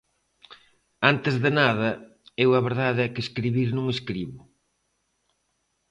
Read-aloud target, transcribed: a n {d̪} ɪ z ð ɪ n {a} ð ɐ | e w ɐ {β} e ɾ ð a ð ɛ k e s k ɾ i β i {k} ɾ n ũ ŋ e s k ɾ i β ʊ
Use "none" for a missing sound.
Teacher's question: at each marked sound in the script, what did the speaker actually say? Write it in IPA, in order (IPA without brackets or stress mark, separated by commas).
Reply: t̪, a, β, none